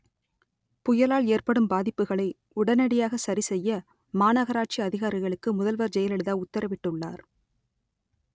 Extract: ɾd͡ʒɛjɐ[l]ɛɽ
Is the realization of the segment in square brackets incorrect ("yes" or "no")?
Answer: no